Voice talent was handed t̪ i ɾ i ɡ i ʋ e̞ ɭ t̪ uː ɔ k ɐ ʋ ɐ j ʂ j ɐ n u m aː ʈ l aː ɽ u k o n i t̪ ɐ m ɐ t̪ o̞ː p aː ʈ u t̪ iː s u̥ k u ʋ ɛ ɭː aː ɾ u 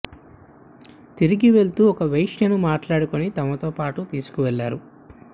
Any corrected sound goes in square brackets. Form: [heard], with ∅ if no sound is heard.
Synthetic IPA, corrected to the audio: t̪ i ɾ i ɡ i ʋ e̞ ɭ t̪ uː ɔ k ɐ ʋ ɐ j ʂ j ɐ n u m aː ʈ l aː ɽ u k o n i t̪ ɐ m ɐ t̪ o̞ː p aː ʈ u t̪ iː s u̥ k u ʋ ɛ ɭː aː ɾ u